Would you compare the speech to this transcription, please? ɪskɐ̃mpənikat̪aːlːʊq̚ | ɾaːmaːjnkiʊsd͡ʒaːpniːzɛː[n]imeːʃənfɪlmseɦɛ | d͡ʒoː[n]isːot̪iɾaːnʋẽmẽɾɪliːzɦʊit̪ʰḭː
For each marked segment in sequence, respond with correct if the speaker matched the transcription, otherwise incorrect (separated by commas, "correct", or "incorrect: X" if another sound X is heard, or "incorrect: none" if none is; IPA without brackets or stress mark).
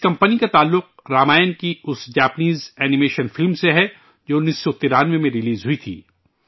correct, correct